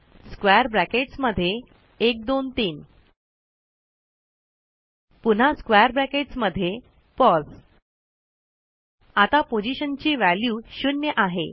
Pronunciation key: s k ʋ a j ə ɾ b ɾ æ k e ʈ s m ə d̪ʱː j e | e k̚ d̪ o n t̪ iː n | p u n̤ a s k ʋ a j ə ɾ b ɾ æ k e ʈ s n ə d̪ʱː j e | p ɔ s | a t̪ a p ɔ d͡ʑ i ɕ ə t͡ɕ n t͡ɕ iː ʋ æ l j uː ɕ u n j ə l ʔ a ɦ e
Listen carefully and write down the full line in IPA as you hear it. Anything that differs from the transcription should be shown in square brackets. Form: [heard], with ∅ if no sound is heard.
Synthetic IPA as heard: s k ʋ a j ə ɾ b ɾ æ k e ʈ s m ə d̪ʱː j e | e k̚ d̪ o n t̪ iː n | p u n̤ a s k ʋ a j ə ɾ b ɾ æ k e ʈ s [m] ə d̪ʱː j e | p ɔ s | a t̪ a p [o] d͡ʑ i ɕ ə [∅] n t͡ɕ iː ʋ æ l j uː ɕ u n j ə [∅] ʔ a ɦ e